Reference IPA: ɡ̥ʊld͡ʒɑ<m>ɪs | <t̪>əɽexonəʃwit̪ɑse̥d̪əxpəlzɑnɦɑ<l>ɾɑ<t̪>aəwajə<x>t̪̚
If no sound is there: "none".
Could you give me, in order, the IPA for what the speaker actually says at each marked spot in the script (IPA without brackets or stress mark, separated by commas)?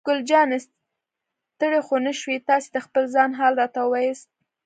n, t̪, l, t̪, s